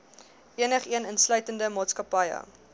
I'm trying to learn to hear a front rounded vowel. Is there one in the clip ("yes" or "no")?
yes